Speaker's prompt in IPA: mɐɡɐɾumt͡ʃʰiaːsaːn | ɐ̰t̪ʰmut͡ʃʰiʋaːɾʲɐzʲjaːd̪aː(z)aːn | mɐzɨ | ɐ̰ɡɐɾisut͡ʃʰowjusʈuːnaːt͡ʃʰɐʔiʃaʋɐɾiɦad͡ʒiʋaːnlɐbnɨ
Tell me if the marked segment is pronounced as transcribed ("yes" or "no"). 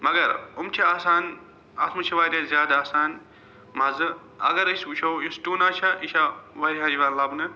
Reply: no